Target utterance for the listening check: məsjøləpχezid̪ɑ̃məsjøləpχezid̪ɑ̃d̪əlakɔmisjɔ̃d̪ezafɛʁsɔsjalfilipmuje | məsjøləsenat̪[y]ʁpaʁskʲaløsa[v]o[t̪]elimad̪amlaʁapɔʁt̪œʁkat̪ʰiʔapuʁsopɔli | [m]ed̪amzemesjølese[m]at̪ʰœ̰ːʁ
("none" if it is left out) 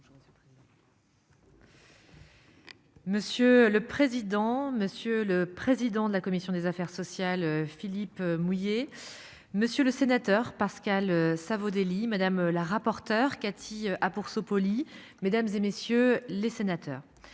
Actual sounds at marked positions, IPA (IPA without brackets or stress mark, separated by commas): œ, v, d̪, m, n